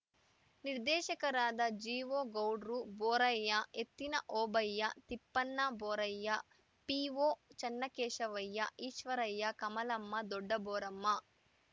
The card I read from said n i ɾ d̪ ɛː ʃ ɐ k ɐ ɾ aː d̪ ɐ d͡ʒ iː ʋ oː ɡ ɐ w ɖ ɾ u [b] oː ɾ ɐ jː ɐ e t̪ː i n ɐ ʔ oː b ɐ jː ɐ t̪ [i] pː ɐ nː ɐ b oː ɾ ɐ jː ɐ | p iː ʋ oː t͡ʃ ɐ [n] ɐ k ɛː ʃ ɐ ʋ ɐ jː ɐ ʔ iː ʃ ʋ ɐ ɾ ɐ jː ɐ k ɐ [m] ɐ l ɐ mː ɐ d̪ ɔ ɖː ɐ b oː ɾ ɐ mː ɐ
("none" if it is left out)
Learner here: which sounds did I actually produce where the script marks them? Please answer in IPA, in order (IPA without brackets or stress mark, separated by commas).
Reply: b, i, nː, m